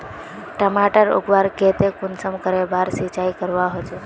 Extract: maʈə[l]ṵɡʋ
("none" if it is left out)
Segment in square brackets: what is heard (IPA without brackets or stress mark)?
ɾ